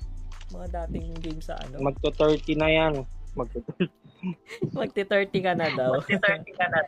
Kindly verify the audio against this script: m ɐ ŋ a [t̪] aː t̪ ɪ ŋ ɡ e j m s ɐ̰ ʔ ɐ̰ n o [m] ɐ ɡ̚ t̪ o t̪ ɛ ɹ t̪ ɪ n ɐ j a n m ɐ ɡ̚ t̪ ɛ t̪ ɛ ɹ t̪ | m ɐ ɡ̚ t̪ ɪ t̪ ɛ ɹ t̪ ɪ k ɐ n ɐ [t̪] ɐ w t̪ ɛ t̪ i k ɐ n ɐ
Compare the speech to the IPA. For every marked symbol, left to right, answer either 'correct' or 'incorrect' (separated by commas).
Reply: incorrect, correct, incorrect